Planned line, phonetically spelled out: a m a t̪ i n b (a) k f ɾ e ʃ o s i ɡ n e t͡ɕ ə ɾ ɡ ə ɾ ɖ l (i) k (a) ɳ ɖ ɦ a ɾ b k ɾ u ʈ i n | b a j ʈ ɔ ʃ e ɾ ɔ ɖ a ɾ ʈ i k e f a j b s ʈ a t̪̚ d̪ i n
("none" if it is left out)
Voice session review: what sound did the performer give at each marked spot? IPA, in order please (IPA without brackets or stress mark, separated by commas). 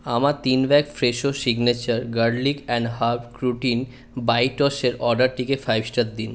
ɛ, i, ɛ